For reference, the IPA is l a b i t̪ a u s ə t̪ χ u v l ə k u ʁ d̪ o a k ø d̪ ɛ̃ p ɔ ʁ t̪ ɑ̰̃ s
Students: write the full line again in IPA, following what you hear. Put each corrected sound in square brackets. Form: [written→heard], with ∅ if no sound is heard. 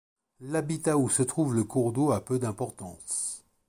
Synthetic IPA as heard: l a b i t̪ a u s ə t̪ χ u v l ə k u ʁ d̪ o a [k→p] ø d̪ ɛ̃ p ɔ ʁ t̪ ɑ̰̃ s